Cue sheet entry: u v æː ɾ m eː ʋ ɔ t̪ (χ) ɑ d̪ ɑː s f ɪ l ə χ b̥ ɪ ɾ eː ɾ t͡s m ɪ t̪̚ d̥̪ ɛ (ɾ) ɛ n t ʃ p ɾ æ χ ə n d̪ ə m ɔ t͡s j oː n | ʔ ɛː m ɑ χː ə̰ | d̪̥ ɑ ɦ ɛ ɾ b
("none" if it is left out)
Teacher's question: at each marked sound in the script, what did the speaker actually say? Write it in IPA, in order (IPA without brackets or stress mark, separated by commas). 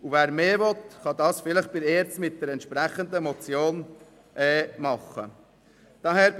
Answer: χ, ɾ